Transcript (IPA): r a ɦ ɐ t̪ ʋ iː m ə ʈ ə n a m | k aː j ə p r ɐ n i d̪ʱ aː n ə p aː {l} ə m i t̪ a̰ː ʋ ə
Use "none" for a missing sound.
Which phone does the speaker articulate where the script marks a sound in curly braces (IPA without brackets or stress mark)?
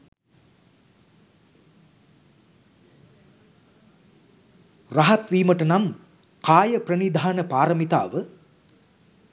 ɾ